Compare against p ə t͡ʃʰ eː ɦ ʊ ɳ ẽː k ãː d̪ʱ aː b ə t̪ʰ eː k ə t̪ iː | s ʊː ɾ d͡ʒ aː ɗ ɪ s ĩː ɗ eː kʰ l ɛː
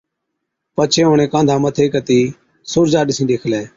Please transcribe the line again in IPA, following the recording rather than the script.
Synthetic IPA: p ə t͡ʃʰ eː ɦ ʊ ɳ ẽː k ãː d̪ʱ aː m ə t̪ʰ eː k ə t̪ iː | s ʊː ɾ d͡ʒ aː ɗ ɪ s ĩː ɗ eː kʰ l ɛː

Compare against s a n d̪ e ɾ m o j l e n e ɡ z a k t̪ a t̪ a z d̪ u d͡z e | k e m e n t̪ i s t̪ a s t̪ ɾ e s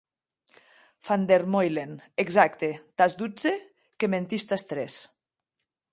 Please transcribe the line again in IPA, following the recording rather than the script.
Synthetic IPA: f a n d̪ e ɾ m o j l e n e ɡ z a k t̪ e t̪ a z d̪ u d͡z e | k e m e n t̪ i s t̪ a s t̪ ɾ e s

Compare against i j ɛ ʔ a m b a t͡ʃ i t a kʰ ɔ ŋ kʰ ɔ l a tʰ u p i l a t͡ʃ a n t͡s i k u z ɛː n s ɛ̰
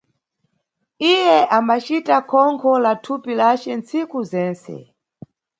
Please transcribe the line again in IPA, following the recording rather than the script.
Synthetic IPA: i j ɛ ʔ a m b a t͡ʃ i t a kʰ ɔ ŋ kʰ ɔ l a tʰ u p i l a t͡ʃ ɛ n t͡s i k u z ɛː n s ɛ̰

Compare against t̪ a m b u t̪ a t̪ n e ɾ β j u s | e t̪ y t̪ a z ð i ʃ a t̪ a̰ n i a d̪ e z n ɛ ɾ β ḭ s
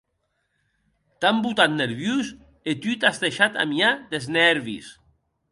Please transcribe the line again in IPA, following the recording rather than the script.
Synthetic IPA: t̪ a m b u t̪ a t̪ n e ɾ β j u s | e t̪ y t̪ a z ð e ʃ a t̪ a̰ m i a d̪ e z n ɛ ɾ β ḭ s

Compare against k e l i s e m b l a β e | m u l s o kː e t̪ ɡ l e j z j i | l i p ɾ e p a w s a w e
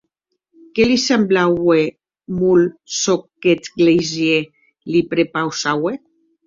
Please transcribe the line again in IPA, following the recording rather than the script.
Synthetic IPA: k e l i s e m b l a w e | m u l s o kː e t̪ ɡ l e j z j e | l i p ɾ e p a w s a w e

